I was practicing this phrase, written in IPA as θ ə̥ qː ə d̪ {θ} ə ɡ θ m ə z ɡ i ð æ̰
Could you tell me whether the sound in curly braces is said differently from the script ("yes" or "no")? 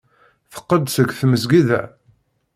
yes